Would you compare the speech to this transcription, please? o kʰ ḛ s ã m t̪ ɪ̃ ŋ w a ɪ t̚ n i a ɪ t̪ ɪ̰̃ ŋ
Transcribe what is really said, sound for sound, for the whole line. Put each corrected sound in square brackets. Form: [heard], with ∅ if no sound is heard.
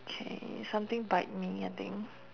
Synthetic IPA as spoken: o kʰ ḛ s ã m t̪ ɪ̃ ŋ [b] a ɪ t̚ [m] i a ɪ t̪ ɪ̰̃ ŋ